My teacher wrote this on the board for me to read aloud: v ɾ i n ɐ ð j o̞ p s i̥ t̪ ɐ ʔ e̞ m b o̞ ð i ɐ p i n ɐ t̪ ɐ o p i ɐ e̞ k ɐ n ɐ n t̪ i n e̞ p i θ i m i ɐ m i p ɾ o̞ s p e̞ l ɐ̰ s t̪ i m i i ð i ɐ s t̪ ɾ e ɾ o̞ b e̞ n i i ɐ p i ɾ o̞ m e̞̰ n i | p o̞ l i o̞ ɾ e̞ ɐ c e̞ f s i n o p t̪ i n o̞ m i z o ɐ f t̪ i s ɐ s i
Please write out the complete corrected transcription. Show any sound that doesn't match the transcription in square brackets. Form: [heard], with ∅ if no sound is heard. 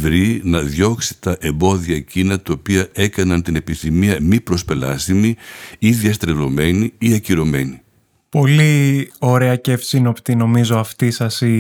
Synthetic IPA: v ɾ i n ɐ ð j o̞ [k] s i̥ t̪ ɐ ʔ e̞ m b o̞ ð i ɐ [c] i n ɐ t̪ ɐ o p i ɐ e̞ k ɐ n ɐ n t̪ i n e̞ p i θ i m i ɐ m i p ɾ o̞ s p e̞ l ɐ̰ s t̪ i m i i ð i ɐ s t̪ ɾ e [l] o̞ [m] e̞ n i i ɐ [c] i ɾ o̞ m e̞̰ n i | p o̞ l i o̞ ɾ e̞ ɐ c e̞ f s i n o p t̪ i n o̞ m i z o ɐ f t̪ i s ɐ s i